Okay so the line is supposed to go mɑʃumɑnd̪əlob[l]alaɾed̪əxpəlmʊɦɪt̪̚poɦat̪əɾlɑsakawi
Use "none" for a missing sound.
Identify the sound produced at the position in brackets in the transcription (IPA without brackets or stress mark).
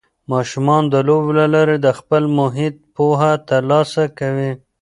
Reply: l